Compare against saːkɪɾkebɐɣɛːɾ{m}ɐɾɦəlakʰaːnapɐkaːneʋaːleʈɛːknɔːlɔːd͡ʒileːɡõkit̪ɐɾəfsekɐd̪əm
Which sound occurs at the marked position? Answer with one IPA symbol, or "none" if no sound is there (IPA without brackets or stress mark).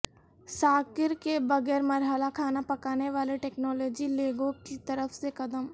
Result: m